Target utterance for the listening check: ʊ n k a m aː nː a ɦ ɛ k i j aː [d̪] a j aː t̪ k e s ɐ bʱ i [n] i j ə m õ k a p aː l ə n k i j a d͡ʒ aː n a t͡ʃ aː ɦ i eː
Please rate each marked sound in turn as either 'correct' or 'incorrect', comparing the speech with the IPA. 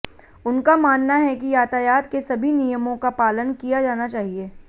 incorrect, correct

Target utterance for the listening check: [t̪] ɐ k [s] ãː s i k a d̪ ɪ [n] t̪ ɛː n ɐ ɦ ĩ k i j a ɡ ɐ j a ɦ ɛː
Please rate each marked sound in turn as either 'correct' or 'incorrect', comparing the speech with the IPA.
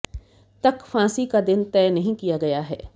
correct, incorrect, correct

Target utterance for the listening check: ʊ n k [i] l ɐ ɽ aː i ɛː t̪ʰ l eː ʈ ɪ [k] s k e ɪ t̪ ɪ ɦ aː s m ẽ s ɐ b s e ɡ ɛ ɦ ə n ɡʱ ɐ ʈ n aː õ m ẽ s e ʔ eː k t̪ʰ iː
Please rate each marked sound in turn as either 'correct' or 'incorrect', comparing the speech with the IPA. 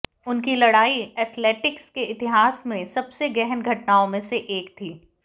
correct, correct

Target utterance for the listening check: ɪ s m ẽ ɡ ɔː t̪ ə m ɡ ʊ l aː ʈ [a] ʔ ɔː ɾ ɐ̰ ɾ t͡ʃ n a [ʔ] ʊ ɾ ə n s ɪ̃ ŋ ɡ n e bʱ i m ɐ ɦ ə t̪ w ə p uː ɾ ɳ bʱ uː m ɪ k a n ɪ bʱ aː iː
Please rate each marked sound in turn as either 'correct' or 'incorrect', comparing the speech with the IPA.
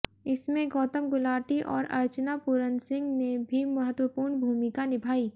incorrect, incorrect

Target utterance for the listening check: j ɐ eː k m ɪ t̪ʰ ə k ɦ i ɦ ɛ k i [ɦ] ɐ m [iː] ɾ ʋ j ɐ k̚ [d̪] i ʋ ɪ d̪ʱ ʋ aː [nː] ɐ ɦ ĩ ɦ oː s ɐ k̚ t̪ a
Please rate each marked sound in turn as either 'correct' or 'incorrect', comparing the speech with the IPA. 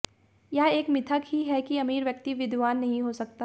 incorrect, correct, incorrect, correct

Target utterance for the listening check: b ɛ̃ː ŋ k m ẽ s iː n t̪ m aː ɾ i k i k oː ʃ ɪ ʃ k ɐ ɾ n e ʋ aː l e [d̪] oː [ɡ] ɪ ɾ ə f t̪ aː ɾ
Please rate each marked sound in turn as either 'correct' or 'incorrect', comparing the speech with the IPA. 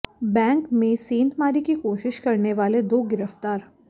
correct, correct

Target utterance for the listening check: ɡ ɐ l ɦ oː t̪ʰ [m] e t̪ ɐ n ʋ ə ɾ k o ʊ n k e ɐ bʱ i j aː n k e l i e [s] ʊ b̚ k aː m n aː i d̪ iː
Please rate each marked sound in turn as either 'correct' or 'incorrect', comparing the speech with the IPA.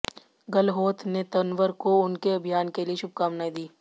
incorrect, incorrect

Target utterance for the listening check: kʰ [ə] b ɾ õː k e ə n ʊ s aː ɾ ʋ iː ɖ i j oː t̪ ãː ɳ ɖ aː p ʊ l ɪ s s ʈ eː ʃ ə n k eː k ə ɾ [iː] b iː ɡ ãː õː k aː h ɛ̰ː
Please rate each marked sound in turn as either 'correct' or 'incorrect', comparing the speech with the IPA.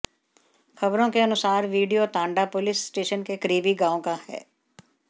correct, correct

